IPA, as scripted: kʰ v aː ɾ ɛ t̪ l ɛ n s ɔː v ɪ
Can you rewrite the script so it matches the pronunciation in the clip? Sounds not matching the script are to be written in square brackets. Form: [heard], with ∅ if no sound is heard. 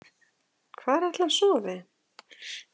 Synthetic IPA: kʰ v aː ɾ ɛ t̪ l [a] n s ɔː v ɪ